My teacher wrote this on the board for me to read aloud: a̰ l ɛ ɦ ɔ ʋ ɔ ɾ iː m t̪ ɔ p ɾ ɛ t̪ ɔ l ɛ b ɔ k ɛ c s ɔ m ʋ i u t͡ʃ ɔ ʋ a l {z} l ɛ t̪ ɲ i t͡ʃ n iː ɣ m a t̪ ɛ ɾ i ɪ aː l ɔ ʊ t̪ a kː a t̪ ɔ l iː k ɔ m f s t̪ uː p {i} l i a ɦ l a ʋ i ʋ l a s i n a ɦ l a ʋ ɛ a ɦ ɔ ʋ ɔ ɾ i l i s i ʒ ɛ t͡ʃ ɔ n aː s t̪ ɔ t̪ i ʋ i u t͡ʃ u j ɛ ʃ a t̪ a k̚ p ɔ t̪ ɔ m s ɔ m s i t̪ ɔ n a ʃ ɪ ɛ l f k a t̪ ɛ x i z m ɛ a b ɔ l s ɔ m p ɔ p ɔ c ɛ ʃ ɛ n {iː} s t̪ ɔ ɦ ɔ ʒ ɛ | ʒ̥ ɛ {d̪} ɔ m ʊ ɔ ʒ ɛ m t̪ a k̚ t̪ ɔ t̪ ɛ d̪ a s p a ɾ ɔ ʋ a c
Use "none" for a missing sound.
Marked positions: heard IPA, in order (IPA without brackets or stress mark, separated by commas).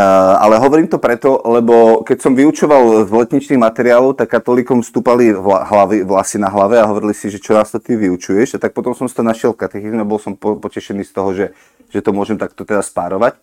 z, a, iː, t̪